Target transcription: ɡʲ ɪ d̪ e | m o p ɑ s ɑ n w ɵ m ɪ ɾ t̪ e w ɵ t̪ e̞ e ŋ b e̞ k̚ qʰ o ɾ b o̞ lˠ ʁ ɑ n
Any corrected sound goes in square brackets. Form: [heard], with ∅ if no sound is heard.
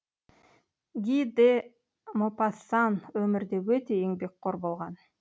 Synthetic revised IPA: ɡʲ [i] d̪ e | m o p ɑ s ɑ n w ɵ m ɪ ɾ [d̪] e w ɵ t̪ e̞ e ŋ b e̞ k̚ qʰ o ɾ b o̞ lˠ ʁ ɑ n